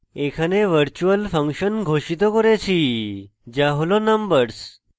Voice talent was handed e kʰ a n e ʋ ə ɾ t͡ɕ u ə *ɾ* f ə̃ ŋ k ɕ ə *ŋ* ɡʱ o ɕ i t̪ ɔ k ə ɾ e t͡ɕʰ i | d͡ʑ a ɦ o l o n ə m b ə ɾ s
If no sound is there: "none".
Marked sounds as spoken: l, n

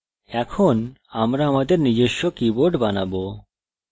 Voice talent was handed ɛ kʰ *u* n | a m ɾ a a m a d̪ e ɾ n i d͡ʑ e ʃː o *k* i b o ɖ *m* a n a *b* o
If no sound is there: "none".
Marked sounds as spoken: o, k, b, b

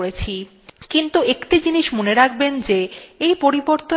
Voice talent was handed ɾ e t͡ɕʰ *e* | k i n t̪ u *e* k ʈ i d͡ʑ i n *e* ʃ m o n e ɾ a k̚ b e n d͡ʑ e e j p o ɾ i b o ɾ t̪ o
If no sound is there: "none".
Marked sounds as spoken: i, e, i

